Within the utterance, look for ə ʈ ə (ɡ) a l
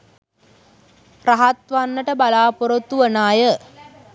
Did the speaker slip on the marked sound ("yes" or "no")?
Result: yes